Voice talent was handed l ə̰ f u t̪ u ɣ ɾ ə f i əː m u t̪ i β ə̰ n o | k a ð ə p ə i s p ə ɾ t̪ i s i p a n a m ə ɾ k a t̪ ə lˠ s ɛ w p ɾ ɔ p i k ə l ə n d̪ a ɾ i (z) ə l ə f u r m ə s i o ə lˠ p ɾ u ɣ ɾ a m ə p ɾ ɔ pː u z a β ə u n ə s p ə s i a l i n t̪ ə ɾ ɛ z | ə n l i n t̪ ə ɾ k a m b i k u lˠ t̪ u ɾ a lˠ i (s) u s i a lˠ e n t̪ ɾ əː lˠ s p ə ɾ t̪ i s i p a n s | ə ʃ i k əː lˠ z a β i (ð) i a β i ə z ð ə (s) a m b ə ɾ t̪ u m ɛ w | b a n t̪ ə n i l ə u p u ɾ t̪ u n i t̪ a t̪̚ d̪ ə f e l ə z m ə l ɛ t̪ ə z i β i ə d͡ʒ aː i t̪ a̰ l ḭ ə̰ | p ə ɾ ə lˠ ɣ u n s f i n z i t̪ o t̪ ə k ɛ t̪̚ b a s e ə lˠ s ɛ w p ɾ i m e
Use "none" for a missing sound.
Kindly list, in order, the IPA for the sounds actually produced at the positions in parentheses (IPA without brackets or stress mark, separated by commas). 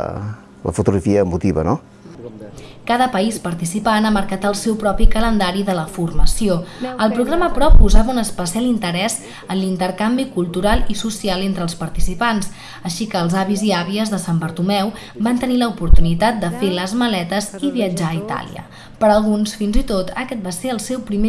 ð, s, z, s